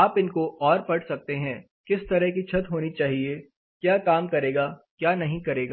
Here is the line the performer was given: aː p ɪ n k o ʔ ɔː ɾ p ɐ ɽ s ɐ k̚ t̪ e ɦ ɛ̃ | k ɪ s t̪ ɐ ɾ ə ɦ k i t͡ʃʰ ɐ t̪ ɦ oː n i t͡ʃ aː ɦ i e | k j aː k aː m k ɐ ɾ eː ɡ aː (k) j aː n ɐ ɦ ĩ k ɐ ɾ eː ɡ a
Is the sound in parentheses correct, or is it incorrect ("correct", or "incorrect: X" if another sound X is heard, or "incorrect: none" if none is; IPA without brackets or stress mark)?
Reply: correct